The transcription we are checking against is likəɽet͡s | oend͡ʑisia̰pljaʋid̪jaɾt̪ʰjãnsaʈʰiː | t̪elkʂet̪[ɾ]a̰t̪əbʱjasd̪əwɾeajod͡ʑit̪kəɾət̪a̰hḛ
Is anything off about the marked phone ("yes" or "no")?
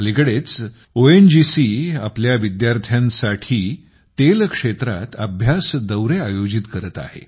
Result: no